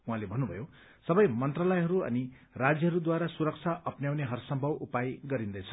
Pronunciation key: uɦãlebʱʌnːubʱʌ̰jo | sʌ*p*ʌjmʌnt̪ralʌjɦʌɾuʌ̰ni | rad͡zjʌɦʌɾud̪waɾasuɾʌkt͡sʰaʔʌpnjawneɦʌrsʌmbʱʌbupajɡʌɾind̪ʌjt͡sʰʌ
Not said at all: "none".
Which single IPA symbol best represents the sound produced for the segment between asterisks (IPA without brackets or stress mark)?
b